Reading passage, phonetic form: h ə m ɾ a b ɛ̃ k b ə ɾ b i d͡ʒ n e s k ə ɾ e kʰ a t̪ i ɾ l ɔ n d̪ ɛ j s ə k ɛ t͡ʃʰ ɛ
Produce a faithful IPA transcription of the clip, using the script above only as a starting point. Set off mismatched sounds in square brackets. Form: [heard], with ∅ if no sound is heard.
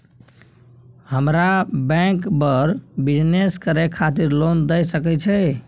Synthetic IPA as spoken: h ə m ɾ a b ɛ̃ k b ə ɾ b i d͡ʒ n e s k ə ɾ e kʰ a t̪ i ɾ l [o] n d̪ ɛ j s ə k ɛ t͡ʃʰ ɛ